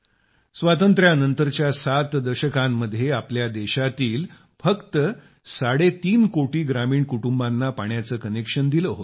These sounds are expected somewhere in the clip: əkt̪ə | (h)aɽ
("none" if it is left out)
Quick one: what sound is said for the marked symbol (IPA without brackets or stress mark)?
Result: s